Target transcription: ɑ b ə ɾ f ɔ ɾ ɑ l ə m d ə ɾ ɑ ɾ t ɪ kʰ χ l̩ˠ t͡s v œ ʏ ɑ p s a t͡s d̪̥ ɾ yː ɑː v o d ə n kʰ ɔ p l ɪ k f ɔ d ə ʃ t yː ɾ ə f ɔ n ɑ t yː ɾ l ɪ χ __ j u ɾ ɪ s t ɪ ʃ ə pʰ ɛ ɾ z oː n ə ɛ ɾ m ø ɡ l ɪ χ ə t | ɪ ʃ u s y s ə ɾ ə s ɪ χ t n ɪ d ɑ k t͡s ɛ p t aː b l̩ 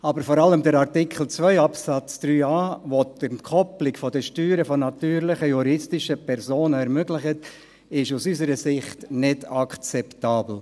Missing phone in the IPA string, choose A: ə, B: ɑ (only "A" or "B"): A